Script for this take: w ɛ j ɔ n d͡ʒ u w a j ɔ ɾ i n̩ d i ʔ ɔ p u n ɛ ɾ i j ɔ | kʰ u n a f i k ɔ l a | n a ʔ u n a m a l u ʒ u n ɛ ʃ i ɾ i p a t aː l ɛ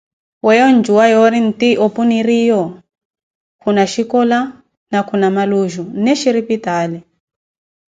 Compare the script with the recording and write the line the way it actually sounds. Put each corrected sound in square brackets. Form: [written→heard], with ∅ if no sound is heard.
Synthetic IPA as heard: w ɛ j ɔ n d͡ʒ u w a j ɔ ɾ i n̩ [d→t] i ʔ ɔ p u n [ɛ→i] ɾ i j ɔ | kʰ u n a [f→ʃ] i k ɔ l a | n a [ʔ→k] u n a m a l u ʒ u n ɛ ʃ i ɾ i p [a→i] t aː l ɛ